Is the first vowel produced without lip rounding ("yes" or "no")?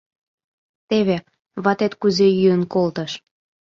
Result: yes